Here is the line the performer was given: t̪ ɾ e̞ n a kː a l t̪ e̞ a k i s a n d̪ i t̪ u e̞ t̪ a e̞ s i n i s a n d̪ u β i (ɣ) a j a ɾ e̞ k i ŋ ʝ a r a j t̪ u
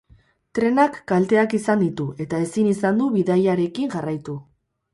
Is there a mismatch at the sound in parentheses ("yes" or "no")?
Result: yes